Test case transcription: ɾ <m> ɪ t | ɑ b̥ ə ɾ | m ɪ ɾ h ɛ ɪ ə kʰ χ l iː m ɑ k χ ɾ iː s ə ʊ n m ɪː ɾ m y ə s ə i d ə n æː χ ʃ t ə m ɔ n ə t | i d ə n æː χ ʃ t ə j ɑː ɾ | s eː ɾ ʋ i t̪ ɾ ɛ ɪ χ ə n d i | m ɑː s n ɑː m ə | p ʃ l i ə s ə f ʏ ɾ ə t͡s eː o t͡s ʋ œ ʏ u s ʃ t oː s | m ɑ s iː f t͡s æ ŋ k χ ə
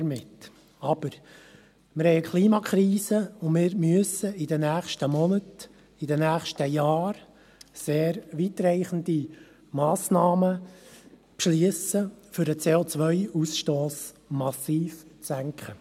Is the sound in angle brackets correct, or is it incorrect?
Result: correct